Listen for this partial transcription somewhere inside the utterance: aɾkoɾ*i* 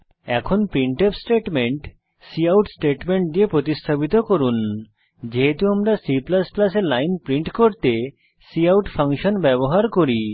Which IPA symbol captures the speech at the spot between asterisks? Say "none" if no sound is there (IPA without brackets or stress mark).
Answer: i